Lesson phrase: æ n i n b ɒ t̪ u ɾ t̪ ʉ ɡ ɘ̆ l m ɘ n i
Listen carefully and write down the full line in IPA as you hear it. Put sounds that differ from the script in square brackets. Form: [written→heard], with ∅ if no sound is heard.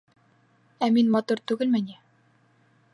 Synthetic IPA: æ [n→m] i n [b→m] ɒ t̪ u ɾ t̪ ʉ ɡ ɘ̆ l m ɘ n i